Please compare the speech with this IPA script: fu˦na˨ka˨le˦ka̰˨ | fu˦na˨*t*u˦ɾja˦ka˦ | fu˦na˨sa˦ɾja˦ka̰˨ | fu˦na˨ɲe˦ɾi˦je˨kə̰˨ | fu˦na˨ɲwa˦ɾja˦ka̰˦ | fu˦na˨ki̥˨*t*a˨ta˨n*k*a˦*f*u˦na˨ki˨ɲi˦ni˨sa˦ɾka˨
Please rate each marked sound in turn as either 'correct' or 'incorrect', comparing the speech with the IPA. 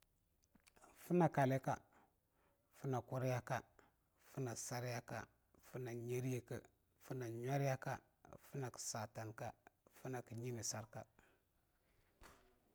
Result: incorrect: k, incorrect: s, correct, correct

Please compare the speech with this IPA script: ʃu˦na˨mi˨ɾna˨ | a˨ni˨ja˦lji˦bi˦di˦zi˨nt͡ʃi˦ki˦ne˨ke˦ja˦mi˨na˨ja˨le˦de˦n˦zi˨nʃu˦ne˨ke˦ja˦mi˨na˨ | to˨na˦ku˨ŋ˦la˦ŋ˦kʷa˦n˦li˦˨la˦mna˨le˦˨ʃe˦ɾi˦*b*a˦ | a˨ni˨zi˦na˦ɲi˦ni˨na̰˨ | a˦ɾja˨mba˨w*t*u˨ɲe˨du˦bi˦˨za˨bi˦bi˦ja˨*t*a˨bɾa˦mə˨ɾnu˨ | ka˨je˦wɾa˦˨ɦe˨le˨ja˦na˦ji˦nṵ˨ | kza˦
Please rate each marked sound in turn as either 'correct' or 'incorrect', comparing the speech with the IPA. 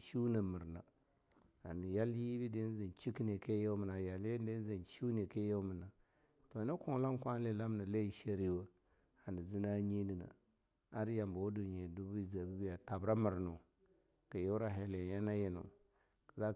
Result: incorrect: w, incorrect: d, correct

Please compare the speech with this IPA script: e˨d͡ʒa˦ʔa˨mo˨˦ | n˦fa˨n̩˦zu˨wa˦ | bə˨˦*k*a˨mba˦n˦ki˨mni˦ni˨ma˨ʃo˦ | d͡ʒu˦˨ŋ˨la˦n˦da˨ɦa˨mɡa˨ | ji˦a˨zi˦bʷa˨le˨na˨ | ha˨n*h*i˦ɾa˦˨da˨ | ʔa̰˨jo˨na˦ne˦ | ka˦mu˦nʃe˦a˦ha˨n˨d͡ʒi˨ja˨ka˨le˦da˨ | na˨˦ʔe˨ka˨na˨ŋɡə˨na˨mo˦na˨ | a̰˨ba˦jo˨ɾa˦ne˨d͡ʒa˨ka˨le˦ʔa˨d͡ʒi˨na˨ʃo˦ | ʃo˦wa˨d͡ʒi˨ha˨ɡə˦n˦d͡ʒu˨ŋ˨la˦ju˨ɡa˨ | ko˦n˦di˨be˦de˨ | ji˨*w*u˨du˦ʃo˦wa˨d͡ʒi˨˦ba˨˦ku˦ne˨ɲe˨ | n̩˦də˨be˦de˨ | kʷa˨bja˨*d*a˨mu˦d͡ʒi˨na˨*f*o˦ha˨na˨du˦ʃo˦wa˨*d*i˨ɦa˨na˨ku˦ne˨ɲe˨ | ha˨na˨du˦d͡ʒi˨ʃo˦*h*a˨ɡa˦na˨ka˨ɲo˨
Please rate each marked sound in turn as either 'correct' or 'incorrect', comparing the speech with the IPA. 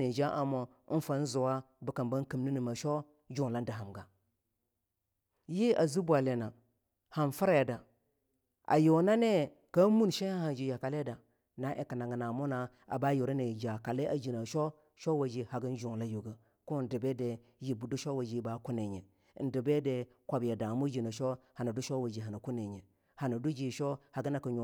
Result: correct, incorrect: f, incorrect: b, correct, incorrect: ʃ, incorrect: d͡ʒ, correct

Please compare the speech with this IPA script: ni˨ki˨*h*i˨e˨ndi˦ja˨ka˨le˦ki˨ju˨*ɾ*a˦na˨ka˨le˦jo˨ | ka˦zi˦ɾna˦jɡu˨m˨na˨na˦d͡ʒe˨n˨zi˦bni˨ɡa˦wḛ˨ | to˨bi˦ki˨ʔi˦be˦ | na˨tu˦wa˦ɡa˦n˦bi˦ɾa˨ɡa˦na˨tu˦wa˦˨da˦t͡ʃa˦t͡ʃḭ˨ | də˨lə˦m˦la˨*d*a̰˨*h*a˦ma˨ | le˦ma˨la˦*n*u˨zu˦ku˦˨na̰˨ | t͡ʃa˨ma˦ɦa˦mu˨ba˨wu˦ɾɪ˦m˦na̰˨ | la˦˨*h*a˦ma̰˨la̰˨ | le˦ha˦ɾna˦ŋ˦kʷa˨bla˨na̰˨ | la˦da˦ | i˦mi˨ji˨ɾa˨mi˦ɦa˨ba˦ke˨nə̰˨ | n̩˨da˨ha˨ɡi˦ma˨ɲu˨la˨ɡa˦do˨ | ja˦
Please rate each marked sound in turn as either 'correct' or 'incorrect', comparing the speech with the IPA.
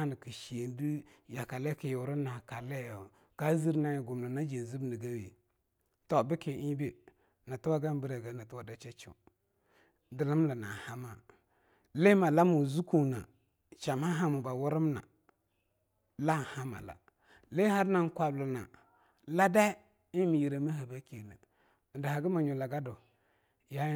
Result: incorrect: ʃ, correct, incorrect: n, correct, incorrect: m, correct

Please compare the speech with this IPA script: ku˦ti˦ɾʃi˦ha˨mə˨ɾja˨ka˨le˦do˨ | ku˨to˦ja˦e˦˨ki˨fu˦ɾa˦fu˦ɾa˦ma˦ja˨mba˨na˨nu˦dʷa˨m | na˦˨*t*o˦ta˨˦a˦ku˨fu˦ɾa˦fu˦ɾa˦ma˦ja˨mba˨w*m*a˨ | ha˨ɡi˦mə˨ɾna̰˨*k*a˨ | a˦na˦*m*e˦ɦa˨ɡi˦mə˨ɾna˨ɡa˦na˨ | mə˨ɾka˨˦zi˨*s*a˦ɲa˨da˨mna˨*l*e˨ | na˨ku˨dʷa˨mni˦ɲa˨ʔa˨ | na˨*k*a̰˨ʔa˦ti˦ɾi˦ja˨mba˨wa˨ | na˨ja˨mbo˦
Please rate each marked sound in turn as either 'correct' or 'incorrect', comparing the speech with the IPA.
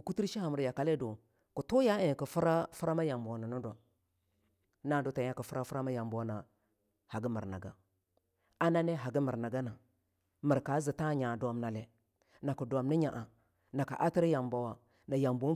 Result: incorrect: d, incorrect: n, incorrect: ɡ, incorrect: n, incorrect: t, correct, correct

